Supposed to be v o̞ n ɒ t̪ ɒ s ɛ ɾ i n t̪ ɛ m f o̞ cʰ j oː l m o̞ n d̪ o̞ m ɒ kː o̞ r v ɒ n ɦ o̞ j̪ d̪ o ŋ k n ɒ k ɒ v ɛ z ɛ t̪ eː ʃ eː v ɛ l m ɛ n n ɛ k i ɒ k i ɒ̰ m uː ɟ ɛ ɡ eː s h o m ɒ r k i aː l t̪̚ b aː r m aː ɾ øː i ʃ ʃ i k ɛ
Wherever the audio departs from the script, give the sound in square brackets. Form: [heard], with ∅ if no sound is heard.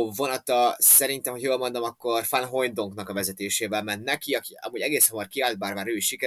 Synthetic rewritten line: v o̞ n ɒ t̪ ɒ s ɛ ɾ i n t̪ ɛ m [h] o̞ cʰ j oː l m o̞ n d̪ o̞ m ɒ kː o̞ r [f] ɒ n ɦ o̞ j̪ d̪ o ŋ k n ɒ k ɒ v ɛ z ɛ t̪ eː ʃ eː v ɛ l m ɛ n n ɛ k i ɒ k i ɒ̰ m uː ɟ ɛ ɡ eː s h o m ɒ r k i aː l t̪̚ b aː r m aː ɾ øː i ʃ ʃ i k ɛ